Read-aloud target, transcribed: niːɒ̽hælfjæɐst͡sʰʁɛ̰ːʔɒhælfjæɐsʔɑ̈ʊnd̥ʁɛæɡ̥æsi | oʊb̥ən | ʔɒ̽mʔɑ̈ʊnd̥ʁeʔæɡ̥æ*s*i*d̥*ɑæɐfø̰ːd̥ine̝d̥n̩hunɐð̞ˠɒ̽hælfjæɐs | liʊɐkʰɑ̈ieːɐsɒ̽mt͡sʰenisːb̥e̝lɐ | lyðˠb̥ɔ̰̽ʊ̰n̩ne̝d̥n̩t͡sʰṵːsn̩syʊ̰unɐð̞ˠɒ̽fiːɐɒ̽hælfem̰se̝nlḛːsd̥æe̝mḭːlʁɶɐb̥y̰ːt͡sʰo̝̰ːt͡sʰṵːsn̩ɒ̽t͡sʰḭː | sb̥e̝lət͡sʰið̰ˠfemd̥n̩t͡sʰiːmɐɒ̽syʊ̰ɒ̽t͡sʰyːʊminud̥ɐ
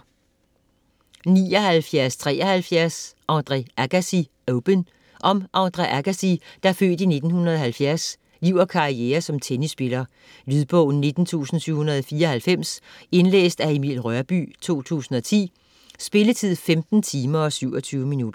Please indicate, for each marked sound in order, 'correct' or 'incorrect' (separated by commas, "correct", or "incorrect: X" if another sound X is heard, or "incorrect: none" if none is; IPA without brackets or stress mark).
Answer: correct, correct